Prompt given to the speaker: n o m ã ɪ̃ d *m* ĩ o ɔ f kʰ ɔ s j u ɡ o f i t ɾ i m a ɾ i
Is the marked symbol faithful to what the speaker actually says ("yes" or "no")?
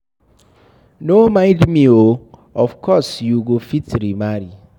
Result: yes